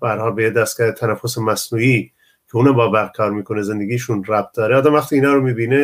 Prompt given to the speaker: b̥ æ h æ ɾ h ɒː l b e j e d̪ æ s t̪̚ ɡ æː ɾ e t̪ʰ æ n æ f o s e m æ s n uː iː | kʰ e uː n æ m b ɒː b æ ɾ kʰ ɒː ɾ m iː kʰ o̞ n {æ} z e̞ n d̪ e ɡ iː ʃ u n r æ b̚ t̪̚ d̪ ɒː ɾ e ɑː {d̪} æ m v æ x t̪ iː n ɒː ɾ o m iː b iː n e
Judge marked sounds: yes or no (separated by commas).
no, yes